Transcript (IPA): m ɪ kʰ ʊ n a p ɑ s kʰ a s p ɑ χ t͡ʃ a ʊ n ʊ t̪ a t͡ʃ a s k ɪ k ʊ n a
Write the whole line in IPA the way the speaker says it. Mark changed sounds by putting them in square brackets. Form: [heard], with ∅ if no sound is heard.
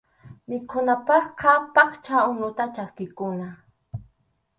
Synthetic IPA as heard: m ɪ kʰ ʊ n a p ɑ [χ] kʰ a [∅] p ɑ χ t͡ʃ a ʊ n ʊ t̪ a t͡ʃ a s k ɪ k ʊ n a